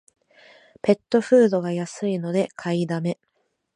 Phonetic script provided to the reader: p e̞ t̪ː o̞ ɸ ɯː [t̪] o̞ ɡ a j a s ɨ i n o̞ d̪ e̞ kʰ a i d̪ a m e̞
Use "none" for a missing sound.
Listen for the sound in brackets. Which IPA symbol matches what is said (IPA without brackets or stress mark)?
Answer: d̪